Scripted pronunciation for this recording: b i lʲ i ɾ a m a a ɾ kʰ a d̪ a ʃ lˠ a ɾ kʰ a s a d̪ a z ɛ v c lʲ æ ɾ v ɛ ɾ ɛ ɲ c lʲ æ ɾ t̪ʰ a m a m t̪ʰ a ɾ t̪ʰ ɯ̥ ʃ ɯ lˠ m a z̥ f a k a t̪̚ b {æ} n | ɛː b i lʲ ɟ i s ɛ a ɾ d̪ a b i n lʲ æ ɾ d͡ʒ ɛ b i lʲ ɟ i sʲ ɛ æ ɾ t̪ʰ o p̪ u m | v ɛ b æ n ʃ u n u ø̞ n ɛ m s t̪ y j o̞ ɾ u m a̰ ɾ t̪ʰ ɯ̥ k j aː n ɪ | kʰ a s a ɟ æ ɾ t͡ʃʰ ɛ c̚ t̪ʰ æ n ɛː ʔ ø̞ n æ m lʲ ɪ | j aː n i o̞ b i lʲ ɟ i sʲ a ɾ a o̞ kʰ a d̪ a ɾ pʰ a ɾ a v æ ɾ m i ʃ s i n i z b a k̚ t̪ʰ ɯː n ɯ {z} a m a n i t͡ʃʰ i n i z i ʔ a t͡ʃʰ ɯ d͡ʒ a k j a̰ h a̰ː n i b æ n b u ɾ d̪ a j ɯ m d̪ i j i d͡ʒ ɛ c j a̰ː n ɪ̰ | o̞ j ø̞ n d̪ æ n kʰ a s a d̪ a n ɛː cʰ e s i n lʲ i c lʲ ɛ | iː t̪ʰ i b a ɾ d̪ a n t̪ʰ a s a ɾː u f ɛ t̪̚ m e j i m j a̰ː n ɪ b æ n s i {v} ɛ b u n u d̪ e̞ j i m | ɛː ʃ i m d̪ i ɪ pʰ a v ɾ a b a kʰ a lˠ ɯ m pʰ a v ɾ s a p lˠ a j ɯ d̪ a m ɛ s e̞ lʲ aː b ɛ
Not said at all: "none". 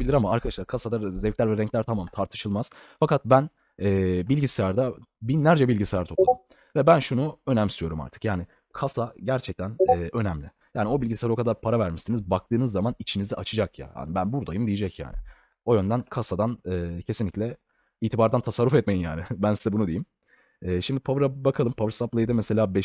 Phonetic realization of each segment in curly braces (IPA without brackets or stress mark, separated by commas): æ, zː, z